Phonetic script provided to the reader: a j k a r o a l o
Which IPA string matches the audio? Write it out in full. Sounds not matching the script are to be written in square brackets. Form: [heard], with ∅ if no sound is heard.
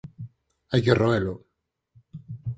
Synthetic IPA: a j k [e] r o [e] l o